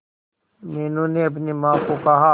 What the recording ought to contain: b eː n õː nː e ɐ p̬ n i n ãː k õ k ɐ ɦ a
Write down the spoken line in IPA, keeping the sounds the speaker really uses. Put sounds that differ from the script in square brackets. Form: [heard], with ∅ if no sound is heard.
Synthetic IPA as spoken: [m] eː n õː [n] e ɐ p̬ n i [m] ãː k [o] k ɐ ɦ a